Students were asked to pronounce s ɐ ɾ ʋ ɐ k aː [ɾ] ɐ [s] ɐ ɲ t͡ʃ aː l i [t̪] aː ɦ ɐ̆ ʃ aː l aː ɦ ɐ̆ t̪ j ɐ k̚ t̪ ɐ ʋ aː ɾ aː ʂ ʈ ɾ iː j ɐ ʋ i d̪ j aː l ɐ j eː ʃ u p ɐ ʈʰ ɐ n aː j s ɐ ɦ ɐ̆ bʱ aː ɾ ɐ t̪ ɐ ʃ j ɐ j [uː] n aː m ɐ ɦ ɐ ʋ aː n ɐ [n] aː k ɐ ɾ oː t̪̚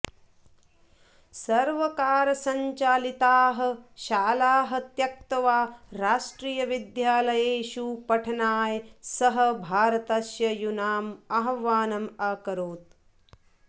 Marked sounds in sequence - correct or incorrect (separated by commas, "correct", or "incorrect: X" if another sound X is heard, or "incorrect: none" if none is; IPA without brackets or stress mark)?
correct, correct, correct, incorrect: u, incorrect: m